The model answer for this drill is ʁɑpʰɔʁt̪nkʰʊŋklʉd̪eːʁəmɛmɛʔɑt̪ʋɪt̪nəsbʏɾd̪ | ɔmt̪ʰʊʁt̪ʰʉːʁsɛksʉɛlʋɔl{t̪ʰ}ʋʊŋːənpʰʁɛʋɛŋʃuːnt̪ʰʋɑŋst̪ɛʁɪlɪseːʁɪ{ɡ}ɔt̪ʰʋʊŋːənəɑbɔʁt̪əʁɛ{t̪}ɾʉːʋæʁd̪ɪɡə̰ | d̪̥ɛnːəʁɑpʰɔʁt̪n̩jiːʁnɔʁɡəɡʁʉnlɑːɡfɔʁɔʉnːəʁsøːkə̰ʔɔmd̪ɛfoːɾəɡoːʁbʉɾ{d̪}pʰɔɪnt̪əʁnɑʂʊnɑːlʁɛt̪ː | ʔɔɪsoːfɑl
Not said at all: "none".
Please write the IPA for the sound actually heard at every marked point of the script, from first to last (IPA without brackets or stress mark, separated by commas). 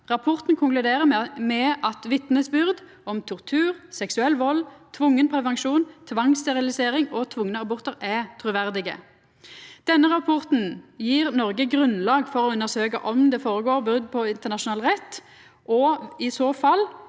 t̪ʰ, ŋ, t̪ʰ, d̪